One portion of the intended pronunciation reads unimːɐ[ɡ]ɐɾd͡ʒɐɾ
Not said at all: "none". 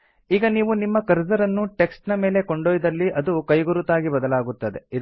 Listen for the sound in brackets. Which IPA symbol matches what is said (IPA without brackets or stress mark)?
k